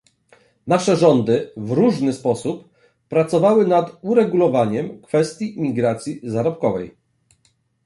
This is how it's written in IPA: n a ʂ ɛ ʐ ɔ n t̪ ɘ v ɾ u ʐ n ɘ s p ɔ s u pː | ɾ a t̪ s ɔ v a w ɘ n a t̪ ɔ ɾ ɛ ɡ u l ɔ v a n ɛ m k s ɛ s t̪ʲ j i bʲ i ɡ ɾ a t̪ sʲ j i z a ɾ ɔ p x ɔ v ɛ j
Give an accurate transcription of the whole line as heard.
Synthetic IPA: n a ʂ ɛ ʐ ɔ n d̪ ɘ v ɾ u ʐ n ɘ s p ɔ s u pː | ɾ a t̪ s ɔ v a w ɘ n a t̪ u ɾ ɛ ɡ u l ɔ v a ɲ ɛ m k f ɛ s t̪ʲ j i mʲ i ɡ ɾ a t̪ sʲ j i z a ɾ ɔ p k ɔ v ɛ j

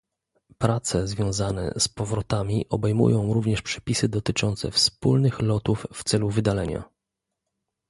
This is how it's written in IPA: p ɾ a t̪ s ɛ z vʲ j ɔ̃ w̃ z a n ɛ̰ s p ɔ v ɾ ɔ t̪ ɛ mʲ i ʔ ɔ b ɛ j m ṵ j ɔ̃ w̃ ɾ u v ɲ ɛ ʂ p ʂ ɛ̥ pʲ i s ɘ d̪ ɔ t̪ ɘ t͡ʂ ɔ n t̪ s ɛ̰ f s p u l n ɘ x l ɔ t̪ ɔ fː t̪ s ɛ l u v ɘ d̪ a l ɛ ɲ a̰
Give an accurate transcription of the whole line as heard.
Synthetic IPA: p ɾ a t̪ s ɛ z vʲ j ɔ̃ w̃ z a n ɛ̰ s p ɔ v ɾ ɔ t̪ a mʲ i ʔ ɔ b ɛ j m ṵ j ɔ̃ w̃ ɾ u v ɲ ɛ ʂ p ʂ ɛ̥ pʲ i s ɘ d̪ ɔ t̪ ɘ t͡ʂ ɔ n t̪ s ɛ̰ f s p u l n ɘ x l ɔ t̪ u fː t̪ s ɛ l u v ɘ d̪ a l ɛ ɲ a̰

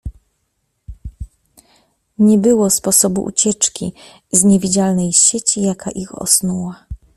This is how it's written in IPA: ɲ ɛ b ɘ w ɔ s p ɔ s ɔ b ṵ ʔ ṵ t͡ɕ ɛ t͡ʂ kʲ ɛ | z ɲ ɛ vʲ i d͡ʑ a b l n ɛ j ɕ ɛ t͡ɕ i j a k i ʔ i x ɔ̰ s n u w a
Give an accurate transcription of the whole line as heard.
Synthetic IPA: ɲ ɛ b ɘ w ɔ s p ɔ s ɔ b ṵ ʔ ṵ t͡ɕ ɛ t͡ʂ kʲ i | z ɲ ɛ vʲ i d͡ʑ a l n ɛ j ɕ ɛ t͡ɕ i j a k a ʔ i x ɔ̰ s n u w a

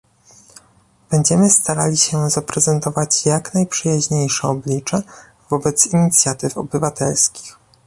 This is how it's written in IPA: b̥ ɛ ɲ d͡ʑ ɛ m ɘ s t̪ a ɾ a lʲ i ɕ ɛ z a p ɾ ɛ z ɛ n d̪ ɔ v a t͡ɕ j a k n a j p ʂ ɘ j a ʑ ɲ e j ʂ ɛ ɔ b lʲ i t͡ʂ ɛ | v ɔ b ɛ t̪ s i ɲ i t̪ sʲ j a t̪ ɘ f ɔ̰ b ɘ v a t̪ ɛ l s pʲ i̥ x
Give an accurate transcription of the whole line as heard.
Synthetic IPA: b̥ ɛ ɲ d͡ʑ ɛ m ɘ s t̪ a ɾ a lʲ i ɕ ɛ z a p ɾ ɛ z ɛ n t̪ ɔ v a t͡ɕ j a k n a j p ʂ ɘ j a ʑ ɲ e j ʂ ɛ ɔ b lʲ i t͡ʂ ɛ | v ɔ b ɛ t̪ s i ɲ i t̪ sʲ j a t̪ ɘ f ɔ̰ b ɘ v a t̪ ɛ l s kʲ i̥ x

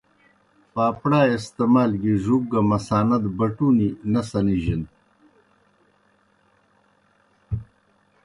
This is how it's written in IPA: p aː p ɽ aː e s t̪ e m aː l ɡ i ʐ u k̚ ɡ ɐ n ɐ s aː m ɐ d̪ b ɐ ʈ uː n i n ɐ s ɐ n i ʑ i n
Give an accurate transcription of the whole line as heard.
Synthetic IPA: p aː p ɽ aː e s t̪ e m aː l ɡ i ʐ u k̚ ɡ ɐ m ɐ s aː n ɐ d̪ b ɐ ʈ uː n i n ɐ s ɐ n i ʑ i n

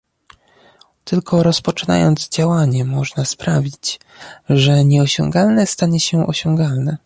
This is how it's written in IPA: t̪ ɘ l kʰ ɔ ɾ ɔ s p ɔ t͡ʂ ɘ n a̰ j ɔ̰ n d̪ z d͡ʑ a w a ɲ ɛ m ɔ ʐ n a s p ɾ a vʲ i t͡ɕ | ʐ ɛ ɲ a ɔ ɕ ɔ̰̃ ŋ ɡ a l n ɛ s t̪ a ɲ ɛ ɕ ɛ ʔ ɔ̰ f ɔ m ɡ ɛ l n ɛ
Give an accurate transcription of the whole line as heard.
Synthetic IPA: t̪ ɘ l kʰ ɔ ɾ ɔ s p ɔ t͡ʂ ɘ n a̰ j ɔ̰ n d̪ z d͡ʑ a w a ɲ ɛ m ɔ ʐ n a s p ɾ a vʲ i t͡ɕ | ʐ ɛ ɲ ɛ ɔ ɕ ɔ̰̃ ŋ ɡ a l n ɛ s t̪ a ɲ ɛ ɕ ɛ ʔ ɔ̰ ɕ ɔ ŋ ɡ a l n ɛ

